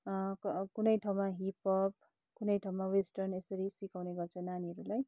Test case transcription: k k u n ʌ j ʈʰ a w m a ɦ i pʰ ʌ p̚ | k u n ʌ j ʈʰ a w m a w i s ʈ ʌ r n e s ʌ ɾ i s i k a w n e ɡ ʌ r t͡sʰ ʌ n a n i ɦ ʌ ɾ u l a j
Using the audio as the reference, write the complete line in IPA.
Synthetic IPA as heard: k k u n ʌ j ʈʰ a w m a ɦ i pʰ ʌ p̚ | k u n ʌ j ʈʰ a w m a w e s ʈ ʌ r n e s ʌ ɾ i s i k a w n e ɡ ʌ r t͡sʰ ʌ n a n i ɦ ʌ ɾ u l a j